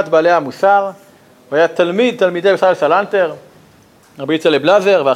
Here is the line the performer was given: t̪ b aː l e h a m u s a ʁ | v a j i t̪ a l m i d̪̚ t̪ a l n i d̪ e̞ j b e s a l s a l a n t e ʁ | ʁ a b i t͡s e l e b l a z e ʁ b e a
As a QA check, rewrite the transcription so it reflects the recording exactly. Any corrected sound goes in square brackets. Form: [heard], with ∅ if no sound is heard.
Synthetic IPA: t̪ b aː l e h a m u s a ʁ | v a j [a] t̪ a l m i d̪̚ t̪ a l [m] i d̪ e̞ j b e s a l s a l a n t e ʁ | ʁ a b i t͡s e l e b l a z e ʁ [v] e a